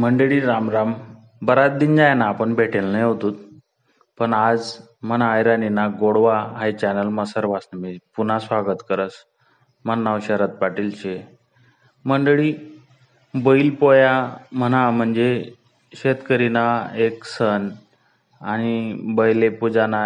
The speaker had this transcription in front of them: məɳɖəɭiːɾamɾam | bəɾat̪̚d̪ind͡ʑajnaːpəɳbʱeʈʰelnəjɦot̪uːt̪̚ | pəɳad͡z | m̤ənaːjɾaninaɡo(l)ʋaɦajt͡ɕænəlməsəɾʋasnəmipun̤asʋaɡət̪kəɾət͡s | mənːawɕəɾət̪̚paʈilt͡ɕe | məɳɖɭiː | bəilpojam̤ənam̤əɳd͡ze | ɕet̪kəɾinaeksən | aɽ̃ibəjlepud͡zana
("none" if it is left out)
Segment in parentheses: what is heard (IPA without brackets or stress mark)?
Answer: ɽ